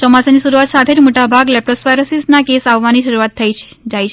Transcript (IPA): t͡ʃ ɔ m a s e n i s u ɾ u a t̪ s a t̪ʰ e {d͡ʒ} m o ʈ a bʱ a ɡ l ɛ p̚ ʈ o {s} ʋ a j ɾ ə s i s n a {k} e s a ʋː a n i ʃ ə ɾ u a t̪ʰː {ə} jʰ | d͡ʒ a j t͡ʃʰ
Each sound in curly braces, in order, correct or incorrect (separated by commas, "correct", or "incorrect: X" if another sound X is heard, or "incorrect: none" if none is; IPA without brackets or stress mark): correct, correct, correct, correct